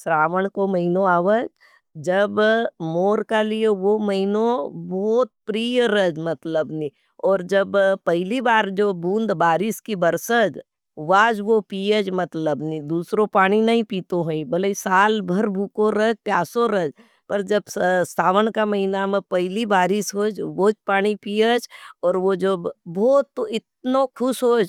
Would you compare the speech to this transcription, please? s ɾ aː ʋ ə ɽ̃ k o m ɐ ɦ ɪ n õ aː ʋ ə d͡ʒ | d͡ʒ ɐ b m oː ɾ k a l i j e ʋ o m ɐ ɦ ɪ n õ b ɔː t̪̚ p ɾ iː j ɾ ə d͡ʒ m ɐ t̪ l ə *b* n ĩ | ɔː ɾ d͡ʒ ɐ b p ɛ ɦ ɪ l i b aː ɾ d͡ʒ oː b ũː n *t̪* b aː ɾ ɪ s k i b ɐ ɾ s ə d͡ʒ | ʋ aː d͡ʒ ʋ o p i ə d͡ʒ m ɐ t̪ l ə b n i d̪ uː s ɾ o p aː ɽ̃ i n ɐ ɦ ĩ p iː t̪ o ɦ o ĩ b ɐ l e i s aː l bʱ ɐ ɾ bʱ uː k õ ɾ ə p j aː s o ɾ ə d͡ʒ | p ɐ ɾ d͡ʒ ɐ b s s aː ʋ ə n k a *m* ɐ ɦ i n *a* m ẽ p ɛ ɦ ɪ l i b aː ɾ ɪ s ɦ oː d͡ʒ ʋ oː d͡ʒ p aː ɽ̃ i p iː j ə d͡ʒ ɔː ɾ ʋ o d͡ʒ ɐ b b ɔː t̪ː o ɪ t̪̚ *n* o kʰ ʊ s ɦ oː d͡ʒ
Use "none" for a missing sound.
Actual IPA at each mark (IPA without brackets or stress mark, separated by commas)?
b, d̪, m, a, n